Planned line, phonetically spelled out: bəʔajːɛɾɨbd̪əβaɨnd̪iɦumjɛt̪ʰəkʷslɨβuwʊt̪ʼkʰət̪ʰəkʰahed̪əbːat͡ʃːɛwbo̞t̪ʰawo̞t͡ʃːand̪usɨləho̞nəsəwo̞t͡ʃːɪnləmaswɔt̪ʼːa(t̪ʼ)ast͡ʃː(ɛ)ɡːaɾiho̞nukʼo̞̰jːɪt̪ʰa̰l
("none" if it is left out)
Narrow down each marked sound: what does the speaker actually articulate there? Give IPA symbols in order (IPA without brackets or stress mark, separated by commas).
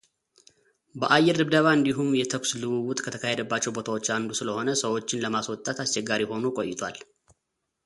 t̪, ɛ